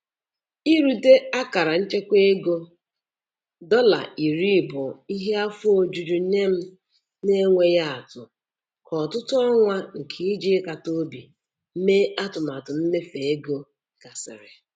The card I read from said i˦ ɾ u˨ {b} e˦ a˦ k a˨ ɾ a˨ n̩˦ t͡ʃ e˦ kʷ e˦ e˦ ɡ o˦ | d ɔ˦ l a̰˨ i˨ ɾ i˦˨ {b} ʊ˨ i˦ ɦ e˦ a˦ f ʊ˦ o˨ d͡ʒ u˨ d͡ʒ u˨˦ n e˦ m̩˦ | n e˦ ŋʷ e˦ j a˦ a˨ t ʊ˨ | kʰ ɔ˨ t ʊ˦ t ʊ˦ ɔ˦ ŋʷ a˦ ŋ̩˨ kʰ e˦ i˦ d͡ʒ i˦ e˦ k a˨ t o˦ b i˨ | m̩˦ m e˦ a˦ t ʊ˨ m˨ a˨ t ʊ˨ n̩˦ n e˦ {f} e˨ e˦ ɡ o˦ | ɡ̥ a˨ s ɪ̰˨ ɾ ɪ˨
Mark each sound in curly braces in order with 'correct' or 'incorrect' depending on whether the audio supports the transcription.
incorrect: d, correct, correct

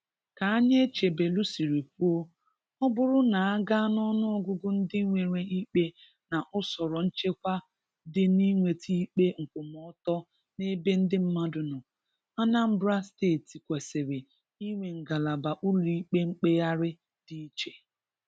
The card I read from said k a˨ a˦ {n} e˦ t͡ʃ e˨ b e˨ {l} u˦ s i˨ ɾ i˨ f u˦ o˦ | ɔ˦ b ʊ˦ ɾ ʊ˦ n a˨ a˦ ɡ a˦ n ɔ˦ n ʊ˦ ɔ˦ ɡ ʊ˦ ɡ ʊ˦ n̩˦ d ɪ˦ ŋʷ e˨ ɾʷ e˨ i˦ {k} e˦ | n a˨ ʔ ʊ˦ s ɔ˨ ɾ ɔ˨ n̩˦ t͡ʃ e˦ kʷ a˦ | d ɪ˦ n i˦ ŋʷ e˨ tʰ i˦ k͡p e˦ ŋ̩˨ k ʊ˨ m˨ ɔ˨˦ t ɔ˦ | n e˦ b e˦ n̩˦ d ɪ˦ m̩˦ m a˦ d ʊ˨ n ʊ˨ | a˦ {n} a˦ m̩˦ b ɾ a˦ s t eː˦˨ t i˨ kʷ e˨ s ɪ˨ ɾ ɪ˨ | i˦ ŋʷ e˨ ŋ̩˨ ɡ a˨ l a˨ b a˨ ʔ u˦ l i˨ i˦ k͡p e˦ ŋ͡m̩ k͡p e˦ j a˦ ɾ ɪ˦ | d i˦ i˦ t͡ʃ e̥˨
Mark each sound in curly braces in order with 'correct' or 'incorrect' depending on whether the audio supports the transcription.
incorrect: ɲ, correct, incorrect: k͡p, correct

